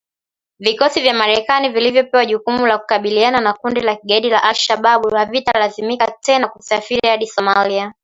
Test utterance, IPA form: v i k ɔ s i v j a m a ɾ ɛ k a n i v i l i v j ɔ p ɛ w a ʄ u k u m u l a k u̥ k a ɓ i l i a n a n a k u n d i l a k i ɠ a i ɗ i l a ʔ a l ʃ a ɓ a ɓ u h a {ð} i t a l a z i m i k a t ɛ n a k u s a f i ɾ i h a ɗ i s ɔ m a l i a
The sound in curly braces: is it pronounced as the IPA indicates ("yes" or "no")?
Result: no